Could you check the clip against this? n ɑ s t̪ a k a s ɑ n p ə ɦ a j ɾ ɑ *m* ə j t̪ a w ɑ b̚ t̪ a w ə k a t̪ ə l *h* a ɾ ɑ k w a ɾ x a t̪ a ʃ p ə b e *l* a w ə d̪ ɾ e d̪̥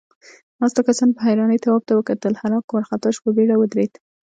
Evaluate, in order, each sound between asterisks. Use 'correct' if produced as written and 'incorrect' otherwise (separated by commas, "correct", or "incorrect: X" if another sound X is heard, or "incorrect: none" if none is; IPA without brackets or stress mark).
incorrect: n, correct, incorrect: ɽ